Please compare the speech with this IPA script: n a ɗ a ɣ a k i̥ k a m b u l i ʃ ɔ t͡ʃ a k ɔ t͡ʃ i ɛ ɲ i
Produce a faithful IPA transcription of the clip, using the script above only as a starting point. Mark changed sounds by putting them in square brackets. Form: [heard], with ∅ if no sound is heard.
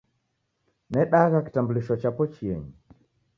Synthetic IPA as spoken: n [ɛ] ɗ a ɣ a k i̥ [t] a m b u l i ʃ ɔ t͡ʃ a [p] ɔ t͡ʃ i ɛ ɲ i

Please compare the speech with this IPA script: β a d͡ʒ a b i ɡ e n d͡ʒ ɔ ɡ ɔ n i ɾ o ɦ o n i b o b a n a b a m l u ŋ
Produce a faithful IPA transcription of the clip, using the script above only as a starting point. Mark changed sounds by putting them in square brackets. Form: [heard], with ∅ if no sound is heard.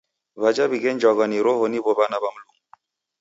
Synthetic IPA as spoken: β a d͡ʒ a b i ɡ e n d͡ʒ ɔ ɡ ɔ n i ɾ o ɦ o n i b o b a n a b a m l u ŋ

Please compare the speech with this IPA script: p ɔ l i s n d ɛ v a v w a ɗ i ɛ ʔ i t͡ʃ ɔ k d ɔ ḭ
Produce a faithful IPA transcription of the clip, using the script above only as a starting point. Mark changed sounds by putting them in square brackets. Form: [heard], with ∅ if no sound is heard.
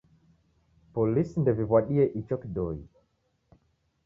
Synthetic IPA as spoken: p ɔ l i s n d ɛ v [i] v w a ɗ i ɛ ʔ i t͡ʃ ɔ k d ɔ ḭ

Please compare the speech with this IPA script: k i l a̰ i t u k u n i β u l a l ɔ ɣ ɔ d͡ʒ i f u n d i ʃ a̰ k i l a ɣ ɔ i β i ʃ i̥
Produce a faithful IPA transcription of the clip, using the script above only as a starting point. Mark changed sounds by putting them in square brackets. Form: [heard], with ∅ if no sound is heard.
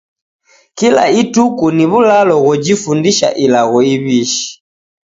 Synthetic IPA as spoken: k i l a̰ i t u k u n i β u l a l ɔ ɣ ɔ d͡ʒ i f u n d i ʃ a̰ [ʔ] i l a ɣ ɔ i β i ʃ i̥

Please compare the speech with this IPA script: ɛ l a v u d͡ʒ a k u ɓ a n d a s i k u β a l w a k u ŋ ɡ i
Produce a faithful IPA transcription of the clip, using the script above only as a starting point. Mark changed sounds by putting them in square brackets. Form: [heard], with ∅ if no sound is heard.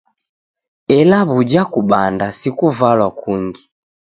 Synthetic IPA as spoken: ɛ l a [β] u d͡ʒ a k u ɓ a n d a s i k u [v] a l w a k u ŋ ɡ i

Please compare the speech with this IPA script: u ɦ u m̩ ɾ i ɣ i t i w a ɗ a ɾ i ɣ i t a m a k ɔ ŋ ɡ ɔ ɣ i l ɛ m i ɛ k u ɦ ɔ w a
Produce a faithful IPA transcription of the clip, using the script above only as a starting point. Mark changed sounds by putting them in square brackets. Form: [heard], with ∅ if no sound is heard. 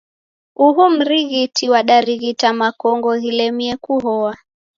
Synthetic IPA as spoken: u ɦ u m̩ ɾ i ɣ i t i w a ɗ a ɾ i ɣ i t a m a k ɔ ŋ ɡ ɔ ɣ i l ɛ m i ɛ k u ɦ ɔ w a

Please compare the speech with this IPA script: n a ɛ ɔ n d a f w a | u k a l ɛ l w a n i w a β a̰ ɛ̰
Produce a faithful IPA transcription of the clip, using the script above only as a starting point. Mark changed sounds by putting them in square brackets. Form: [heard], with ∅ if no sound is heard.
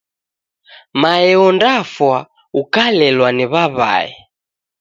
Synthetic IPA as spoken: [m] a ɛ ɔ n d a f w a | u k a l ɛ l w a n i [β] a β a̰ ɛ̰

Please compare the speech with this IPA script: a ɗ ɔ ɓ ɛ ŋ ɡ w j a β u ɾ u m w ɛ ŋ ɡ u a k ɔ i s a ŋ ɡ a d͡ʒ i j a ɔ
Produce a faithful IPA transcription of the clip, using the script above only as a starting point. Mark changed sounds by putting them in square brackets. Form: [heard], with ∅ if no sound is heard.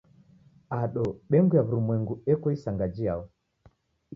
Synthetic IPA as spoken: a ɗ ɔ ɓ ɛ ŋ ɡ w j a β u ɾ u m w ɛ ŋ ɡ u [ɛ] k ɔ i s a ŋ ɡ a d͡ʒ i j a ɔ

